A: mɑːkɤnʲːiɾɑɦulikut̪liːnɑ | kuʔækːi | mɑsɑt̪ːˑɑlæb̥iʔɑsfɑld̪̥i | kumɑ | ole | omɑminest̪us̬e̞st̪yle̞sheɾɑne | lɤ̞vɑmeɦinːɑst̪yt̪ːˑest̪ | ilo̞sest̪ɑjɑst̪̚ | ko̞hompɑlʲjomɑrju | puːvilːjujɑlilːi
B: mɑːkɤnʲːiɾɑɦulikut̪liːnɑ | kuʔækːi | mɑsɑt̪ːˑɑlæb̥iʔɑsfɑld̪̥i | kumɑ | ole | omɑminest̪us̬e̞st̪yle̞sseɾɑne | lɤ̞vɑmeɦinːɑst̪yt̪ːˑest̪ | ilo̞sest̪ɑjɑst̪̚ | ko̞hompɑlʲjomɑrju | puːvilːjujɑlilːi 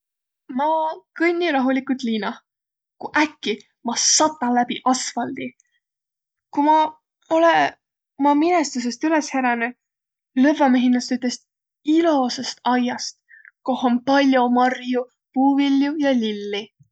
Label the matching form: A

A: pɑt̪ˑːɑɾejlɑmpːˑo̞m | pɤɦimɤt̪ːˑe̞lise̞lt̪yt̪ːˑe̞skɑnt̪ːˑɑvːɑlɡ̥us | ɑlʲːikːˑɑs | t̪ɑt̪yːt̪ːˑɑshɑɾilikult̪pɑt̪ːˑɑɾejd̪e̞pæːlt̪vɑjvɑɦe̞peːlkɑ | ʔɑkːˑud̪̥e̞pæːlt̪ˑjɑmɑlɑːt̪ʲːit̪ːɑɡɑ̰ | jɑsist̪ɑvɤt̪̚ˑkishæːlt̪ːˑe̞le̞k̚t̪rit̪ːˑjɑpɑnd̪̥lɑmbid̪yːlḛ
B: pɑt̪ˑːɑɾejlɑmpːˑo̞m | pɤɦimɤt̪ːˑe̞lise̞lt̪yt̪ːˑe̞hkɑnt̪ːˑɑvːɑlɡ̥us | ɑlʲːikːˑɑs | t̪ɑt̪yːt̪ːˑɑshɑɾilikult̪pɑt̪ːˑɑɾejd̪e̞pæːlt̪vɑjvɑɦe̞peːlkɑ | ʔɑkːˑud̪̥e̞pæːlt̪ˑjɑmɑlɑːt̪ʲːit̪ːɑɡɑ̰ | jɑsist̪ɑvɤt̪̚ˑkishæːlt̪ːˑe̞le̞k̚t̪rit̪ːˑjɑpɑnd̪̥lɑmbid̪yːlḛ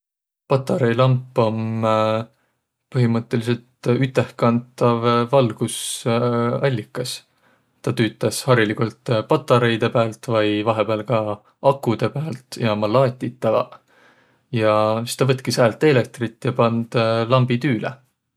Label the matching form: B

